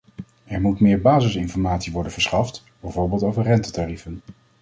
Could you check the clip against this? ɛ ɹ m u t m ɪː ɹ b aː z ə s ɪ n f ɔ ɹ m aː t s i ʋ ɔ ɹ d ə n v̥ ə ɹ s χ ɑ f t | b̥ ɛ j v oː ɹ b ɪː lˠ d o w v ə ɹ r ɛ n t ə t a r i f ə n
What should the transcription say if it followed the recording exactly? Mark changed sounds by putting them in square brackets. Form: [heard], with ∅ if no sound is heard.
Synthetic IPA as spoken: ɛ ɹ m u t m ɪː ɹ b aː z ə s ɪ n f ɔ ɹ m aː t s i ʋ ɔ ɹ d ə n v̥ ə ɹ s χ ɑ f t | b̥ ɛ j v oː ɹ b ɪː lˠ [t] o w v ə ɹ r ɛ n t ə t a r i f ə n